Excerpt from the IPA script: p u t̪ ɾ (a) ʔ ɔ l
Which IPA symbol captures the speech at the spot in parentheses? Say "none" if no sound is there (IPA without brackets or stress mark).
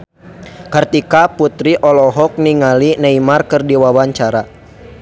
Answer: i